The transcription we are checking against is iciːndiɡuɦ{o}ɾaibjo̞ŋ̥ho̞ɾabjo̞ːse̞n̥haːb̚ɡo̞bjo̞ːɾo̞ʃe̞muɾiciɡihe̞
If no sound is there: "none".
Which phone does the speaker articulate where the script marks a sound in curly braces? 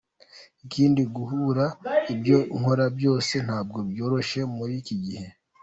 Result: u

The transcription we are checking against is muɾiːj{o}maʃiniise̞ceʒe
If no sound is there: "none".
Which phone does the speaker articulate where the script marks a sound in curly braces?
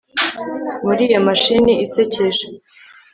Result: o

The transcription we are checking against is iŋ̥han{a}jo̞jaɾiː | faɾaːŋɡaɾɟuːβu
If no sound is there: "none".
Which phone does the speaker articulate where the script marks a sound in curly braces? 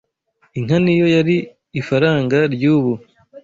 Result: i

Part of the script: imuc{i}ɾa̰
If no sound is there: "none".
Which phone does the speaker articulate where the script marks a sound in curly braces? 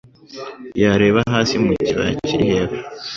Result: i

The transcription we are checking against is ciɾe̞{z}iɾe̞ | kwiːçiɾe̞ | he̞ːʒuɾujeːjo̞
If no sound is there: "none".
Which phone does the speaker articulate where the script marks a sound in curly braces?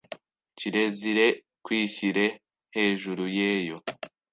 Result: z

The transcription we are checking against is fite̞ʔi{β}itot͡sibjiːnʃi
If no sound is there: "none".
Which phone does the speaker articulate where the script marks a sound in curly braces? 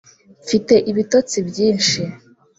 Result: β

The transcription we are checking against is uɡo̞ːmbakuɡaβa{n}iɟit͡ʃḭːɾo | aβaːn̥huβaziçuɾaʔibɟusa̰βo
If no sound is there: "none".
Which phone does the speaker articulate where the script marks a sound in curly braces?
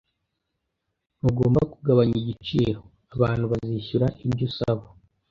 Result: ɲ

